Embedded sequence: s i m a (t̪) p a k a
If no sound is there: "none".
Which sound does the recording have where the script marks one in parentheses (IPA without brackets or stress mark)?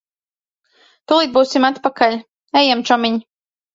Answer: t̪